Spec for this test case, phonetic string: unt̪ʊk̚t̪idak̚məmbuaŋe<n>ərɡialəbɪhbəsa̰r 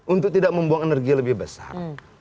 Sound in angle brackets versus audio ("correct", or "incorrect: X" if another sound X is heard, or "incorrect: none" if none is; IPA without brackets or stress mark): correct